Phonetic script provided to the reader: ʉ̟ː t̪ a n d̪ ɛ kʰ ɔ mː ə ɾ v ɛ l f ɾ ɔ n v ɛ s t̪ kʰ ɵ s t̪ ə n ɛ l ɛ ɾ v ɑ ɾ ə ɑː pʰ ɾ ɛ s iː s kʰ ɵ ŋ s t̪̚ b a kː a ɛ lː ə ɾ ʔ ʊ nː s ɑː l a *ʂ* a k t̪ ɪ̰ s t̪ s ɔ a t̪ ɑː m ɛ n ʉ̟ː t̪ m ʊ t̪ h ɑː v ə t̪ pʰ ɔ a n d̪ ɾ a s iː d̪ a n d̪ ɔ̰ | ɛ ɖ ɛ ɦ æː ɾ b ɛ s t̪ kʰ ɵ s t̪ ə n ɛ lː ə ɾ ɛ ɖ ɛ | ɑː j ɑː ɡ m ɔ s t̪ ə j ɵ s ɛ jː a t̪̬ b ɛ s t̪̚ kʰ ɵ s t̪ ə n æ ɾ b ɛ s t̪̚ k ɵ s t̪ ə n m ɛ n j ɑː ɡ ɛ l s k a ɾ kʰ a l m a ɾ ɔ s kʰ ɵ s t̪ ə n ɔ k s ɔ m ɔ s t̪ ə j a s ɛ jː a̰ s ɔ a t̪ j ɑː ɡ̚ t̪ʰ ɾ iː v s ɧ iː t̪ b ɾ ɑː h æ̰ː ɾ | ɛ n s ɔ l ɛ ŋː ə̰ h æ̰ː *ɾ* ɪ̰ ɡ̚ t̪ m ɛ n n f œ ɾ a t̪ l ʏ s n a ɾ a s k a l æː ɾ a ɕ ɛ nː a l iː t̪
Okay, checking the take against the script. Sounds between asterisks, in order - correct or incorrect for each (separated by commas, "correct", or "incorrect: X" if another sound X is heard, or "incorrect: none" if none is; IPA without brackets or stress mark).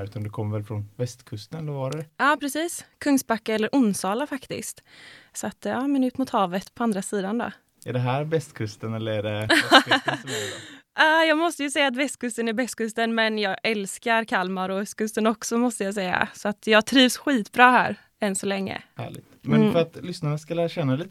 incorrect: f, incorrect: ɭ